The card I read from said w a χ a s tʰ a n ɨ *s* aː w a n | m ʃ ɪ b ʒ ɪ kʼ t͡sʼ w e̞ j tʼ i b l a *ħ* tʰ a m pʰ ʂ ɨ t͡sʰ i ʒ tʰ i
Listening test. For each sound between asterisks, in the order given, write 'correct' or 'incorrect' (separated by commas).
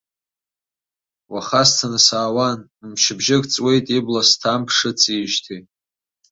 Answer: correct, incorrect